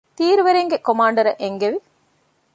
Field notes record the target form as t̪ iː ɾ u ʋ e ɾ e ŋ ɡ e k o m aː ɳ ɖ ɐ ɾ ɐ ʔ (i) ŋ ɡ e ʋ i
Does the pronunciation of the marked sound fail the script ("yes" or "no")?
yes